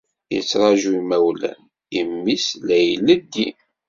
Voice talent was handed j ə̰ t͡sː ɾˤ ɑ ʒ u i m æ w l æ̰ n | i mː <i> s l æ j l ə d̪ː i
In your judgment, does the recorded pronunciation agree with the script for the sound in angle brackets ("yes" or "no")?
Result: yes